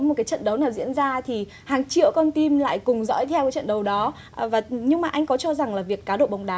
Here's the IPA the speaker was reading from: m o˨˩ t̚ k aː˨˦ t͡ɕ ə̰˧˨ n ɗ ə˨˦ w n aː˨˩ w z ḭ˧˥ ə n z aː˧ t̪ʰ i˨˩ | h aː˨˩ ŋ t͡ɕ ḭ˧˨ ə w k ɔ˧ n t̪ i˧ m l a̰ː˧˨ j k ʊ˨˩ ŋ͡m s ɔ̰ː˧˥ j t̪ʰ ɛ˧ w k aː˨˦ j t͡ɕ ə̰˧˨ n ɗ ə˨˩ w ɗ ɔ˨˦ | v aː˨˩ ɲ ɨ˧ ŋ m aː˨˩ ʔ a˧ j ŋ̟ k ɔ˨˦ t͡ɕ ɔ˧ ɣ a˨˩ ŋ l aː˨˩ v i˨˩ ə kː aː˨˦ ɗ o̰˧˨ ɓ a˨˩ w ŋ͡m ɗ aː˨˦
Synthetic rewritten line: m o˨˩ t̚ k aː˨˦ t͡ɕ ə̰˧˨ n ɗ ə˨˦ w n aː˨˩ w z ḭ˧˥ ə n z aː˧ t̪ʰ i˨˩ | h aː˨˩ ŋ t͡ɕ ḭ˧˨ ə w k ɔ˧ n t̪ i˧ m l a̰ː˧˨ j k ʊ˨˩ ŋ͡m z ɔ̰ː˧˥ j t̪ʰ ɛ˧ w k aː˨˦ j t͡ɕ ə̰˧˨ n ɗ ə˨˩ w ɗ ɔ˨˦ | v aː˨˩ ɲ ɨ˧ ŋ m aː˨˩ ʔ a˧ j ŋ̟ k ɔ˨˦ t͡ɕ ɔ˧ z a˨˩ ŋ l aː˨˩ v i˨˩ ə kː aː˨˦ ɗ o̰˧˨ ɓ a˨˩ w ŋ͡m ɗ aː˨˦